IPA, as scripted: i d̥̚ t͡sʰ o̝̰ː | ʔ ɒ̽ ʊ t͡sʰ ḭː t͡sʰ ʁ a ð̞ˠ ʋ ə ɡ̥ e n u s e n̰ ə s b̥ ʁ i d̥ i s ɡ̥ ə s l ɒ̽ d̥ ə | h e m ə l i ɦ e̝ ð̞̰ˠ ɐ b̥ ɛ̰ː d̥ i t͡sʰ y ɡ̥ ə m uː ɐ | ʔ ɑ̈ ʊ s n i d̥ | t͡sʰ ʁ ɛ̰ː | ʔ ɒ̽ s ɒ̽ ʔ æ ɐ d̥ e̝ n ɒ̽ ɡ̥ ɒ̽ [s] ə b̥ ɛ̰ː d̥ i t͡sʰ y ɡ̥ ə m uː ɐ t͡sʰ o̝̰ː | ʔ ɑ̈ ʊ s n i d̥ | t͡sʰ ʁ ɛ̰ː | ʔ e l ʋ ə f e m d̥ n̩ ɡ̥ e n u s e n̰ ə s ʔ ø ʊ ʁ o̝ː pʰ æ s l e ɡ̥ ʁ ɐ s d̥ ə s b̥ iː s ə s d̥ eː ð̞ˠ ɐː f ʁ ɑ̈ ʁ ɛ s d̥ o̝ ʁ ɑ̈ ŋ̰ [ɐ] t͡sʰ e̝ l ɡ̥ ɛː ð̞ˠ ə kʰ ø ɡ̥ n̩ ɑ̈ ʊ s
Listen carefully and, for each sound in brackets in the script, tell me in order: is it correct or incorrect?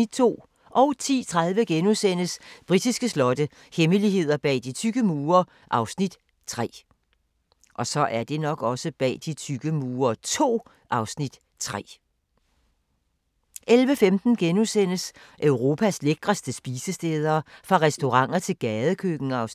correct, correct

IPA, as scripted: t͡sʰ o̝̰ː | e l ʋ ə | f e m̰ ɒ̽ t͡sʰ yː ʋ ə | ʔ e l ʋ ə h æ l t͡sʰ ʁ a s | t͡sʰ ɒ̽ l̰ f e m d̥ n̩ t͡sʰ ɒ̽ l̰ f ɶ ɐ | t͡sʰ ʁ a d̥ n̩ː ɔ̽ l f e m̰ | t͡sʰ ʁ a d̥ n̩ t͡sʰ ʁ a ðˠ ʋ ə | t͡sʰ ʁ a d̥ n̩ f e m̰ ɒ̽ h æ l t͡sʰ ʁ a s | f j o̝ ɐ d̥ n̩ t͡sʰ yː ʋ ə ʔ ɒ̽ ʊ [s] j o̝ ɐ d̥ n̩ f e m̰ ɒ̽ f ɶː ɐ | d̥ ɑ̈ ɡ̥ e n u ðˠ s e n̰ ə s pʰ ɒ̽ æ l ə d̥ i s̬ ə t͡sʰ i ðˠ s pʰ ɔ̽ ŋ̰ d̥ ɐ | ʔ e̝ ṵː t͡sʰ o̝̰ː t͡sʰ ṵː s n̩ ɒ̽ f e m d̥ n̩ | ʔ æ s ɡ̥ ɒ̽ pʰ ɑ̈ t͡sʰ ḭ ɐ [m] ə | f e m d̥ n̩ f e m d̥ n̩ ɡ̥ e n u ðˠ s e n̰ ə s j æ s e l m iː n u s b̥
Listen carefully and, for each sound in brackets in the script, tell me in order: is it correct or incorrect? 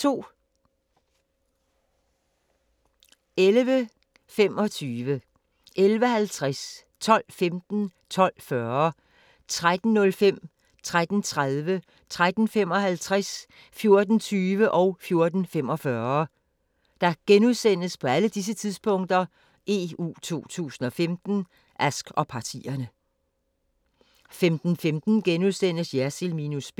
incorrect: f, incorrect: n

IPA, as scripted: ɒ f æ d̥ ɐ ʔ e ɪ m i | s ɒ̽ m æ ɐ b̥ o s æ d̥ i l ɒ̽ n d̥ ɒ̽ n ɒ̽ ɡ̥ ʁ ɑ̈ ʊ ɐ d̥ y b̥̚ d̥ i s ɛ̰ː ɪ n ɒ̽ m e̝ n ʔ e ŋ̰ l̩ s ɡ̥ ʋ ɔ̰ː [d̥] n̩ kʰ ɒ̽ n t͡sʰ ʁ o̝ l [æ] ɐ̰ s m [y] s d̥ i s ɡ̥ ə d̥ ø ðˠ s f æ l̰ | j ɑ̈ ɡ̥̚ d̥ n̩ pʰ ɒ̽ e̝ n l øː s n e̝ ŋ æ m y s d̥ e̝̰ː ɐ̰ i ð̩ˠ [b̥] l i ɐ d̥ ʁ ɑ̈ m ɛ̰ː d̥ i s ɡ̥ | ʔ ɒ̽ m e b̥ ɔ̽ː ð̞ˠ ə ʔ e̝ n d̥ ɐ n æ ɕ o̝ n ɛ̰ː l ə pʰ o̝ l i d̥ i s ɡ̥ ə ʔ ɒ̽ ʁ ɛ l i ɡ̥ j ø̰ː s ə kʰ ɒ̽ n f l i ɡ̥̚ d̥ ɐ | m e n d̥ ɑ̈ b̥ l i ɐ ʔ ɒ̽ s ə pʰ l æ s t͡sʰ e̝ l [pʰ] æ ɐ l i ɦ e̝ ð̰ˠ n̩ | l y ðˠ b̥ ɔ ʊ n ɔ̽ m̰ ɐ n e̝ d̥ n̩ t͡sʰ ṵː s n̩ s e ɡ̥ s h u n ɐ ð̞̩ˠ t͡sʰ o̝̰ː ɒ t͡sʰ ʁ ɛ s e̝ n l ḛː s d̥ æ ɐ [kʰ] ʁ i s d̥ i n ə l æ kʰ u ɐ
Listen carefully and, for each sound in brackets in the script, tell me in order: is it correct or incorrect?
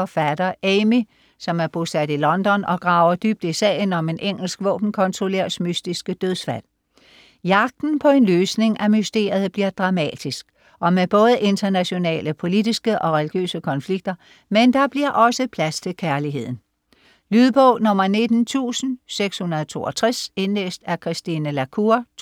incorrect: b̥, incorrect: e, correct, correct, incorrect: kʰ, correct

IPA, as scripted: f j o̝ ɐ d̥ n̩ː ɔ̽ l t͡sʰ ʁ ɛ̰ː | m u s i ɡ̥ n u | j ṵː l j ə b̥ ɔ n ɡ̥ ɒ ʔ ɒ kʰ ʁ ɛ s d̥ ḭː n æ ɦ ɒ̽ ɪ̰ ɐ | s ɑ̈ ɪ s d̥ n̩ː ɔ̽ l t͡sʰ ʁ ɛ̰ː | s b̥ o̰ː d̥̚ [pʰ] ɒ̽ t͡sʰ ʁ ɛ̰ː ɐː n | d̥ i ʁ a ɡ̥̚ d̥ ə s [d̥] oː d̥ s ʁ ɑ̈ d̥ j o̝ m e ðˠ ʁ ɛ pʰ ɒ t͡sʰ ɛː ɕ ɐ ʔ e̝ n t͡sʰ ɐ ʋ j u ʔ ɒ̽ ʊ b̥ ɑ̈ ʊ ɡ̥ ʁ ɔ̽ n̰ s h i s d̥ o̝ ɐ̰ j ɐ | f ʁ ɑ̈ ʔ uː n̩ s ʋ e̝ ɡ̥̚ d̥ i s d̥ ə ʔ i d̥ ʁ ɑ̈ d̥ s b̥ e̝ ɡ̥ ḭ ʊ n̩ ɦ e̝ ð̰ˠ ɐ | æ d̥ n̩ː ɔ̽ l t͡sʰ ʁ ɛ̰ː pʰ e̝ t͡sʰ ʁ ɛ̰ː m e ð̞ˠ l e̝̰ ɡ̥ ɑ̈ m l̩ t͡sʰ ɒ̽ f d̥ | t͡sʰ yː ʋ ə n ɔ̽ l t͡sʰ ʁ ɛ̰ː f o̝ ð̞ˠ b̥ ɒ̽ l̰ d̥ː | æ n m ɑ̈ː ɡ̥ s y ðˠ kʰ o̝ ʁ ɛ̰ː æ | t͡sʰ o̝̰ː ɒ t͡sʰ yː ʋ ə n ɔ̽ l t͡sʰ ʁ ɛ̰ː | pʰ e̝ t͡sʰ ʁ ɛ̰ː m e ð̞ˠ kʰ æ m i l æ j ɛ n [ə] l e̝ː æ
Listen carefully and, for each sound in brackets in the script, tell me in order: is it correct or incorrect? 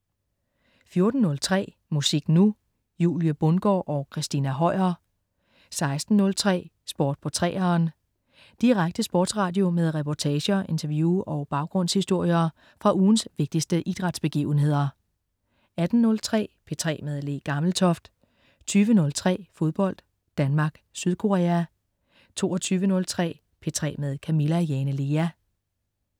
correct, incorrect: b̥, correct

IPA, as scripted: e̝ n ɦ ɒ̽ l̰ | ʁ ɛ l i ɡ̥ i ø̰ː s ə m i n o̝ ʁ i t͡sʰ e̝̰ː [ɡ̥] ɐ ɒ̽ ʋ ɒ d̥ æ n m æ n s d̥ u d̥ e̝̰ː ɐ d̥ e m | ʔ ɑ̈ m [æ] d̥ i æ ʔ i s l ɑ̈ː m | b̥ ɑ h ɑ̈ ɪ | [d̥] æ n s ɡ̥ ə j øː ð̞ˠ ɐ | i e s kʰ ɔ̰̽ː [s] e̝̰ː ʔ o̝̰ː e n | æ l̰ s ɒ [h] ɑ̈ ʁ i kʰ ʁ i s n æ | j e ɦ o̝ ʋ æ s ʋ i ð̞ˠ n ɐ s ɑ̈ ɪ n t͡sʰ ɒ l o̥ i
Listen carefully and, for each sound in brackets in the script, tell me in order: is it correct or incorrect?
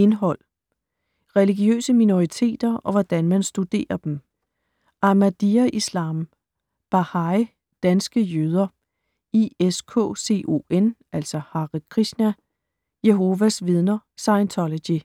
incorrect: d̥, correct, correct, correct, correct

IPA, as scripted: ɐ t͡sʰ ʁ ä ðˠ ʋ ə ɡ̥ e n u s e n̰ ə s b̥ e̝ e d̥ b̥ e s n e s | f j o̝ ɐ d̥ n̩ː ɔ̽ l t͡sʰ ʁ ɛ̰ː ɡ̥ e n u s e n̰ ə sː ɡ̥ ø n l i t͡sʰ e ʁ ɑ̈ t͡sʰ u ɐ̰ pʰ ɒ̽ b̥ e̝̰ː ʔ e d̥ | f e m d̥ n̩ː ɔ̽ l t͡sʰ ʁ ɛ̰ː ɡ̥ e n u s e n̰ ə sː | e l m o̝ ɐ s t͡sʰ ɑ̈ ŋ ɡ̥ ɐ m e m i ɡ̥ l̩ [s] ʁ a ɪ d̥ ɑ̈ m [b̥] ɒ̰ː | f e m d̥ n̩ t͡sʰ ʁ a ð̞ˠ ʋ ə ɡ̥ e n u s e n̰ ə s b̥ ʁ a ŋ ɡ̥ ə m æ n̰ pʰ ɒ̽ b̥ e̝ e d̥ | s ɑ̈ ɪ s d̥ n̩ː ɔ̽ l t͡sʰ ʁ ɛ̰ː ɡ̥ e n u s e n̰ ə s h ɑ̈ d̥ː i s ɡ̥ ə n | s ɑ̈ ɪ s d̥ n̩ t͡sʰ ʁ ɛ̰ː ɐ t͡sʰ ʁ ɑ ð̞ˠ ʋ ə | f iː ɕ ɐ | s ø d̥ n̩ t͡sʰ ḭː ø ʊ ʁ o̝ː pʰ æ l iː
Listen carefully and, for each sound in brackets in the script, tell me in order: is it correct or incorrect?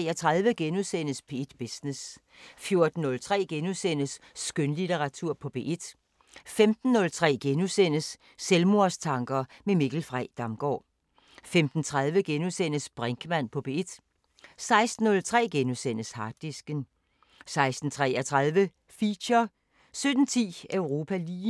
incorrect: f, incorrect: ɡ̥

